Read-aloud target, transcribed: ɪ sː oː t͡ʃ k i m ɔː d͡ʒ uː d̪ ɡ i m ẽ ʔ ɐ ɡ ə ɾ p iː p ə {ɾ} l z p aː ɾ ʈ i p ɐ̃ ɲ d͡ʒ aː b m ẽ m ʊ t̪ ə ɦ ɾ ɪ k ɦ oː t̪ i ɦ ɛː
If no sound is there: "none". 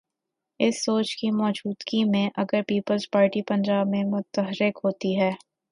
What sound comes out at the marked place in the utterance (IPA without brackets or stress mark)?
none